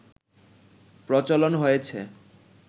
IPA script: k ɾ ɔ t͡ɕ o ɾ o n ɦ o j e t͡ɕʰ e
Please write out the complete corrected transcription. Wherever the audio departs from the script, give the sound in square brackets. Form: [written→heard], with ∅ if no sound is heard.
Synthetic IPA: [k→p] ɾ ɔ t͡ɕ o [ɾ→l] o n ɦ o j e t͡ɕʰ e